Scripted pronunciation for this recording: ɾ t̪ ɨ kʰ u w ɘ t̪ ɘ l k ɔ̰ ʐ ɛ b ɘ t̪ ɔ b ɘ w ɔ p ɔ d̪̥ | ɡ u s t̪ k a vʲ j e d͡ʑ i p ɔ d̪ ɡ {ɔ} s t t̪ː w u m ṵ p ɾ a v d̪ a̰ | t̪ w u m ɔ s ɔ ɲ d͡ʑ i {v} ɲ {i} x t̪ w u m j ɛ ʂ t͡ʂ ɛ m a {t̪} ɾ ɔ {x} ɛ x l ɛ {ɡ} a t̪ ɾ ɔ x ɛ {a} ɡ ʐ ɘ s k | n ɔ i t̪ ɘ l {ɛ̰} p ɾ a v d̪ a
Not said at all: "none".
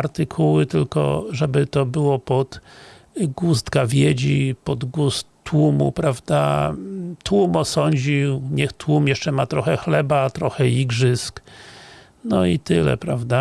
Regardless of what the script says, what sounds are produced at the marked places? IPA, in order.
u, w, ɛ, t̪, x, b, i, ɛ̰

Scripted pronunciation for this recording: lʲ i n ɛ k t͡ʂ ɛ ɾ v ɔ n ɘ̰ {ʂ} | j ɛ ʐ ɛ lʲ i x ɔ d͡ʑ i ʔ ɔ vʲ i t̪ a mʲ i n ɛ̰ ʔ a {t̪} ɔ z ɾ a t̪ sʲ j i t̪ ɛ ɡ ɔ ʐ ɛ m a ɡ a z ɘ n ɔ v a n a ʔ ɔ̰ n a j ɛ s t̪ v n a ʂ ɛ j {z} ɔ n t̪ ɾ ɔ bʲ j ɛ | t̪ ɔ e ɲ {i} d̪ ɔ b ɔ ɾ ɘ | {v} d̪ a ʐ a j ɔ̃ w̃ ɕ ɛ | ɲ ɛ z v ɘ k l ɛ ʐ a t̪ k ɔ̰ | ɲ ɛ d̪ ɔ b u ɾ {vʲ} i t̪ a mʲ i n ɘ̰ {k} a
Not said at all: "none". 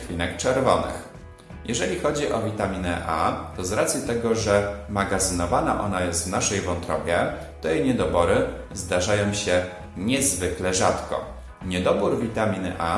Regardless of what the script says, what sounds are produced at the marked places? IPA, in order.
x, t̪, v, ɛ, z, vʲ, ʔ

